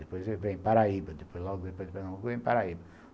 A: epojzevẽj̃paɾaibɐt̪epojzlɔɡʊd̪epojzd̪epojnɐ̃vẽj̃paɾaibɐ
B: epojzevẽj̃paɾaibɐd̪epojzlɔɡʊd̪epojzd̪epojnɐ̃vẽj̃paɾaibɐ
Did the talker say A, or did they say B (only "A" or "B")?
B